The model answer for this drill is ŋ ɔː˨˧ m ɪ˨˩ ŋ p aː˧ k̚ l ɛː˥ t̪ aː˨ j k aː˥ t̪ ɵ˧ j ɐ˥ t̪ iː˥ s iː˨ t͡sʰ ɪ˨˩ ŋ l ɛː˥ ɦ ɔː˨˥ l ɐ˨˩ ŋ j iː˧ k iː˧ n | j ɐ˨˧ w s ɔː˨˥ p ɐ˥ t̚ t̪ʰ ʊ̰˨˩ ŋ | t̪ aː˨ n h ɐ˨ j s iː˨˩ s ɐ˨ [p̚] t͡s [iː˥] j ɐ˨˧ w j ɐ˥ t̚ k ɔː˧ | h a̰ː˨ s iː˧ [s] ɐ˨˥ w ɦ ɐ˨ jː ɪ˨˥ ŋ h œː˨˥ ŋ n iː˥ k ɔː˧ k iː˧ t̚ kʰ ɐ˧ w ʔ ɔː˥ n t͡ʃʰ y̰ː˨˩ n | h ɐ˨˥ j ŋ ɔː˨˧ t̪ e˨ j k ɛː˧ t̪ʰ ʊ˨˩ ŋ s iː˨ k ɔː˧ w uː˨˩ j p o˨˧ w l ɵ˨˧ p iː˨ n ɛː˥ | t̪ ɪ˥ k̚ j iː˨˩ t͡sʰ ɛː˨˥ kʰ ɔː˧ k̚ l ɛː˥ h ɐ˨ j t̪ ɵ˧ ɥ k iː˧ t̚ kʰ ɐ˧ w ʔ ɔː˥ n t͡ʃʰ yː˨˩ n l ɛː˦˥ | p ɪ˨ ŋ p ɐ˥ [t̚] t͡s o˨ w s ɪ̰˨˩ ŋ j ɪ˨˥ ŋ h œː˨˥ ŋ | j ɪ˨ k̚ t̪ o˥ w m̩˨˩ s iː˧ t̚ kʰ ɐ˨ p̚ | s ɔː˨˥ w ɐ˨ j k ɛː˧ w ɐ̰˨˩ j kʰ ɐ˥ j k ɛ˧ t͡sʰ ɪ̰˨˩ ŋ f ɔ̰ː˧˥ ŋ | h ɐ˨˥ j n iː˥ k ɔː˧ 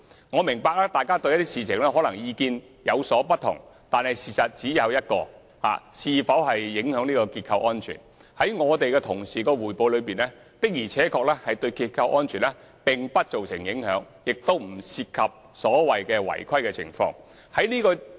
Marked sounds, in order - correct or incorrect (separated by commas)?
incorrect, incorrect, incorrect, correct